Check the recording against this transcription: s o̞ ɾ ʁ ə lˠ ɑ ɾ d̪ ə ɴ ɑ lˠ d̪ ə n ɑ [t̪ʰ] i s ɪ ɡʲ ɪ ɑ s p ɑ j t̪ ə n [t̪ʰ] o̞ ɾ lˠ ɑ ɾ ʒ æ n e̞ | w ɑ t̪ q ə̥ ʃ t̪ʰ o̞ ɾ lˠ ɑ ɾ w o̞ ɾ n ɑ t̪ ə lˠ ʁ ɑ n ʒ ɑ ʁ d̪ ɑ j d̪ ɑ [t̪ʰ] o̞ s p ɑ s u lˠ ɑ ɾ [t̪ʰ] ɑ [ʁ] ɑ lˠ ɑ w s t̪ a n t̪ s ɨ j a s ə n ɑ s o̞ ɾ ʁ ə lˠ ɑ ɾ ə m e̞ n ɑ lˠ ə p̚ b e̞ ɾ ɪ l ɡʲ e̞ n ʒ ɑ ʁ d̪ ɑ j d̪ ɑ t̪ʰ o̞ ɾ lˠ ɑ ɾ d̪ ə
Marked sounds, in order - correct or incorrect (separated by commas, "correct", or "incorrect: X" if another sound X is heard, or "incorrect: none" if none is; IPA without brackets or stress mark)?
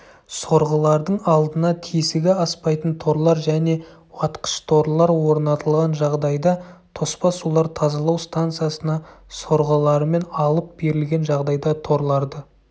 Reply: correct, correct, correct, correct, incorrect: z